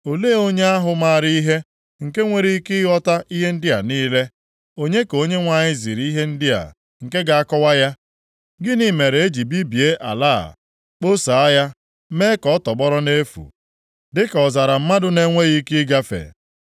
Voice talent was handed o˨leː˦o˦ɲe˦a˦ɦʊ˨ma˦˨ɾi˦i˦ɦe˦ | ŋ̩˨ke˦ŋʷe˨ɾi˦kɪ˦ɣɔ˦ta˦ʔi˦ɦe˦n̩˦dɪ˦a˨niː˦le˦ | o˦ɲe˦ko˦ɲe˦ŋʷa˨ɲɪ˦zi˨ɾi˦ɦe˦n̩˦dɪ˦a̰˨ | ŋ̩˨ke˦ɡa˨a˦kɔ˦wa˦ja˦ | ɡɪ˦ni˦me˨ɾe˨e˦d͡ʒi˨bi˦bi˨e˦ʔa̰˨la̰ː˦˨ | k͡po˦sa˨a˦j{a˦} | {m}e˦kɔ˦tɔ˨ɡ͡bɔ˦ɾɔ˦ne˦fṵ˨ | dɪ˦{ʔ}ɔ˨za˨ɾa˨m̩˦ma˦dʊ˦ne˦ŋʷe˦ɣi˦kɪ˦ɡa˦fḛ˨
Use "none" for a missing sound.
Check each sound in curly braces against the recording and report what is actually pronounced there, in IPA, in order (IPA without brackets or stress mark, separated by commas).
a˦, m, k